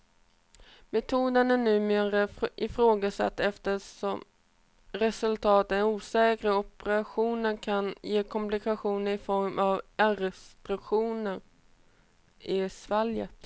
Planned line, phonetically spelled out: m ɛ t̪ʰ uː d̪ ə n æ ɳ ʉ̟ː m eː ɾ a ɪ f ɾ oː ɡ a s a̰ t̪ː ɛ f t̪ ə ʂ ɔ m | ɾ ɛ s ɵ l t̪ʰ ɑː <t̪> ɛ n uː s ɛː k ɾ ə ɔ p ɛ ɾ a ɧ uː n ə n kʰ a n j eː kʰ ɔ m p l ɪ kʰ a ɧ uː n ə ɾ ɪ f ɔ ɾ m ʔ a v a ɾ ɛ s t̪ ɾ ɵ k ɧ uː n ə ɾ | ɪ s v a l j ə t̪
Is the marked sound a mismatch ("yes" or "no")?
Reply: no